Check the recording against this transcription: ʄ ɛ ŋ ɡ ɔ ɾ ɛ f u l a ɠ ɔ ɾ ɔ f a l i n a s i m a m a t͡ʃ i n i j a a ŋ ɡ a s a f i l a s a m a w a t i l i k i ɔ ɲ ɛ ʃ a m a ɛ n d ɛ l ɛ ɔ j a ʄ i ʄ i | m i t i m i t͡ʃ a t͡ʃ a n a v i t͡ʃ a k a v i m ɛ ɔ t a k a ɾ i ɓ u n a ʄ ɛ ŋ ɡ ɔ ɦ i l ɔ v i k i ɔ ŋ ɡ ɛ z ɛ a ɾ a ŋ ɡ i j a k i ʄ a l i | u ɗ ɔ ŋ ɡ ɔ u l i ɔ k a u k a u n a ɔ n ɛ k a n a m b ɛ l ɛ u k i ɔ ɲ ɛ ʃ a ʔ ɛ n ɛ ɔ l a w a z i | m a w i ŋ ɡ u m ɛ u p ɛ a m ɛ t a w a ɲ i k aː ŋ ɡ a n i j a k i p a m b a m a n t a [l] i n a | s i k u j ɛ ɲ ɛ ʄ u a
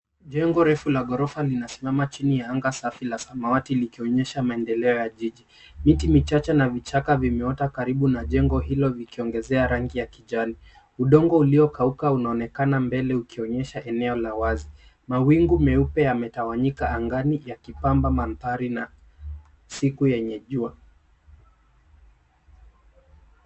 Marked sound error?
yes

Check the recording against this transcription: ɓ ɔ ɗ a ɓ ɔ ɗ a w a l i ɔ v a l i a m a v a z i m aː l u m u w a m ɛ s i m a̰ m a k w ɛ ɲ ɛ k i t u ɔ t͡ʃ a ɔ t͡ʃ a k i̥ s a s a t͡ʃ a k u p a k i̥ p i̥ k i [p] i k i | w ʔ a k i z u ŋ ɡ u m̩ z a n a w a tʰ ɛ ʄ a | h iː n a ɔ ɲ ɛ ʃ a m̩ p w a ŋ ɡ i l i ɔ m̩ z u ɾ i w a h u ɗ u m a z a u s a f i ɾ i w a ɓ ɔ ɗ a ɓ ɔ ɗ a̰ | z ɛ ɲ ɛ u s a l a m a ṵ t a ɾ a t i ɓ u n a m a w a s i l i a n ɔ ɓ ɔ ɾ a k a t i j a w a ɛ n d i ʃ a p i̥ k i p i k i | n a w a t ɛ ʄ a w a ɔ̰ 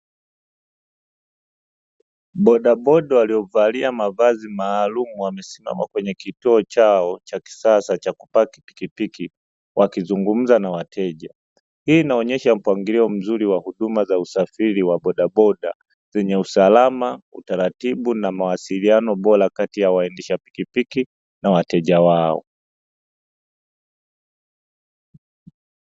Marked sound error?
no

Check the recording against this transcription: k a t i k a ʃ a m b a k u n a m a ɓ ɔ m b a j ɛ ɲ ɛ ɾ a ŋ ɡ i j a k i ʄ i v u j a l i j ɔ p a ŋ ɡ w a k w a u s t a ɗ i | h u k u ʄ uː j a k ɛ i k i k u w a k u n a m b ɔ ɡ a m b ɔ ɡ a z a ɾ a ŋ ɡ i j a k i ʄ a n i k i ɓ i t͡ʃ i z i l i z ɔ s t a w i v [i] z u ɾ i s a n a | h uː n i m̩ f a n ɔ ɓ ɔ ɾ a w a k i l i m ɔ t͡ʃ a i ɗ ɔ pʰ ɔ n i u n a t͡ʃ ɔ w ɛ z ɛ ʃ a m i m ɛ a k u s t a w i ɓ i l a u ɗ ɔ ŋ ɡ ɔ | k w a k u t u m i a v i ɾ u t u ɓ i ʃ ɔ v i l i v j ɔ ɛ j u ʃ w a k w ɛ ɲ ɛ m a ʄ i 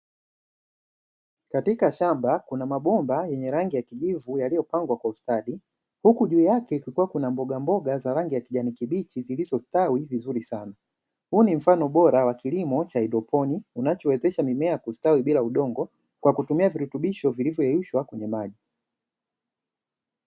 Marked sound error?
no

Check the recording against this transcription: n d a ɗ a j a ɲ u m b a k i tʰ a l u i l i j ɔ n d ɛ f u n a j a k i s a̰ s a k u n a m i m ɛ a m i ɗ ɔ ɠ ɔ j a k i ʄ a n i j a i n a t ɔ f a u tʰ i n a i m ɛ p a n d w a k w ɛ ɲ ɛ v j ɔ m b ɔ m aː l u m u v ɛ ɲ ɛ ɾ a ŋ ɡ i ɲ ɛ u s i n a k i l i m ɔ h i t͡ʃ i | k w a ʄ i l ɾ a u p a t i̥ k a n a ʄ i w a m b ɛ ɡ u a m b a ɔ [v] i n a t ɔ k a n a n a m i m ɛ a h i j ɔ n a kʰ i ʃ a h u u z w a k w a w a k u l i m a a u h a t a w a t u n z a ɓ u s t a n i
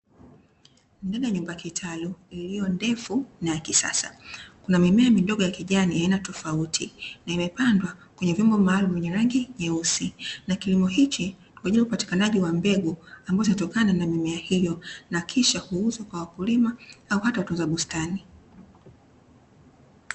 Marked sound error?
yes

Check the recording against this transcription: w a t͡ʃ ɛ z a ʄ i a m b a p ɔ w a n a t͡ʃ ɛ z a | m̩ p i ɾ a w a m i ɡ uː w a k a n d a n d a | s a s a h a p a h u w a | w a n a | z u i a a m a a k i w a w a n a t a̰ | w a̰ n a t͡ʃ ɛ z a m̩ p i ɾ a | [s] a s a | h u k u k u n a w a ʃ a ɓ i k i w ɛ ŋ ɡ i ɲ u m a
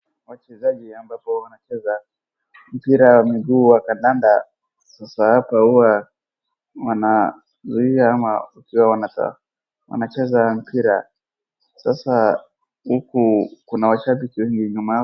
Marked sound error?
no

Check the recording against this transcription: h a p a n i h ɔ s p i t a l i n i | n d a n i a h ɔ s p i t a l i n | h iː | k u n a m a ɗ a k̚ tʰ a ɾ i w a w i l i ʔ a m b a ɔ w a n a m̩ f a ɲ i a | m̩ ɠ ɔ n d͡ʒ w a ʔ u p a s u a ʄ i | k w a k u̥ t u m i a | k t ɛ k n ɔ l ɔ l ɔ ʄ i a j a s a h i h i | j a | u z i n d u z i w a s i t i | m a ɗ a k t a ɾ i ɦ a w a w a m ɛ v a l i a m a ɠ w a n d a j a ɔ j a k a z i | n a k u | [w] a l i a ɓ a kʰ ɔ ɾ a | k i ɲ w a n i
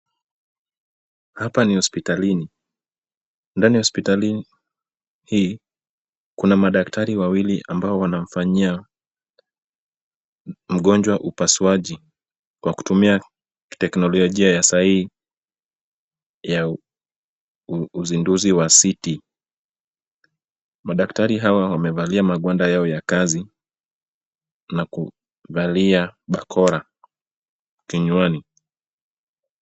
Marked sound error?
yes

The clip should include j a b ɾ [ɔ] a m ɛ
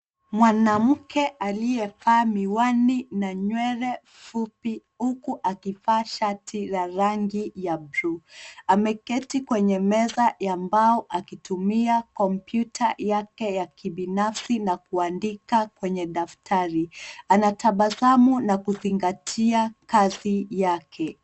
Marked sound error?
yes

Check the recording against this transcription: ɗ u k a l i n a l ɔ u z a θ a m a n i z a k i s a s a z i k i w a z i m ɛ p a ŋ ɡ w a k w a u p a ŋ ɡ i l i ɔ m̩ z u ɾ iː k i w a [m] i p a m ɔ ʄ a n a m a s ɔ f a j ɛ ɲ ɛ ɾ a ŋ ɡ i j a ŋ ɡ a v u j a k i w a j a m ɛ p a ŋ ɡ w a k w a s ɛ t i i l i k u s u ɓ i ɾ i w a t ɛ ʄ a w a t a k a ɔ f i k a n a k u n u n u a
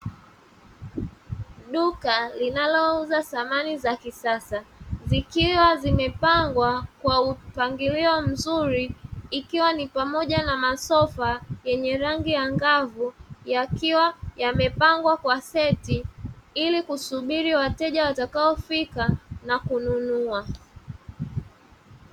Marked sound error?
yes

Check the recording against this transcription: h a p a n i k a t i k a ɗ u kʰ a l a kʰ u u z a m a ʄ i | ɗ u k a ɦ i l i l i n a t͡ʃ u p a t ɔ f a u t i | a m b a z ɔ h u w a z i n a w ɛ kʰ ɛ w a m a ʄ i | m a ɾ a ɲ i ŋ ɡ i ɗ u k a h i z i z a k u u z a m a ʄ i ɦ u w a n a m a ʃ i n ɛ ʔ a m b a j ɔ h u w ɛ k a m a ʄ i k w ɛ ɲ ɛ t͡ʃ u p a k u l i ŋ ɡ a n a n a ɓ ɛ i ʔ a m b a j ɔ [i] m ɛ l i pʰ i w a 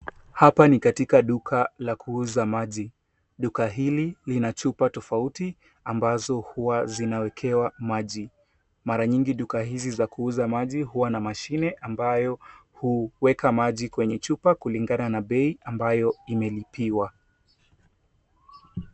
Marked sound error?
no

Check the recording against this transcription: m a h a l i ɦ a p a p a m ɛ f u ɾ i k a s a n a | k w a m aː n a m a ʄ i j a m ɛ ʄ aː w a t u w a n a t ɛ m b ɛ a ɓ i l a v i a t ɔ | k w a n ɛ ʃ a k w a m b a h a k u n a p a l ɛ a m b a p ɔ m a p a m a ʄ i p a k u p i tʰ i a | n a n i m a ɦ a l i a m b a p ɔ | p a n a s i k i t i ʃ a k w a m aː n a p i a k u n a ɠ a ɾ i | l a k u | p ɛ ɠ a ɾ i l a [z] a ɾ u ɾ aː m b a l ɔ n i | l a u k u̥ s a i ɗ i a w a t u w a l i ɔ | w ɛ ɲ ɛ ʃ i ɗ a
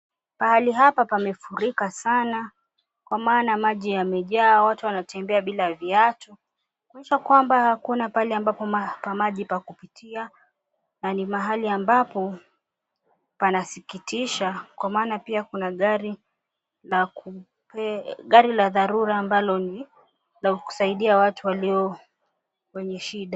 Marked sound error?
yes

